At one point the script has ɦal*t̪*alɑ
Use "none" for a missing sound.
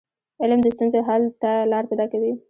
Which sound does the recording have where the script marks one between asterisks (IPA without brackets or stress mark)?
t̪